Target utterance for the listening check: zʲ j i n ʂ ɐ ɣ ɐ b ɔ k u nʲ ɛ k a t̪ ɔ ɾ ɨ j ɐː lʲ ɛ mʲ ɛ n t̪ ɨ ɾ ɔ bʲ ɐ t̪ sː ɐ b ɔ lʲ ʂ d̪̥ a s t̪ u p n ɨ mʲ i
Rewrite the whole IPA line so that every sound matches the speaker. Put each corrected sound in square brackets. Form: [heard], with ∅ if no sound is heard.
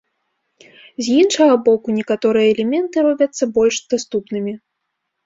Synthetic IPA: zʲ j i n ʂ ɐ ɣ ɐ b ɔ k u nʲ ɛ k a t̪ ɔ ɾ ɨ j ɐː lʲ ɛ mʲ ɛ n t̪ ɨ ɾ ɔ bʲ ɐ t̪ sː ɐ b ɔ lʲ ʂ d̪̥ a s t̪ u p n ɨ mʲ i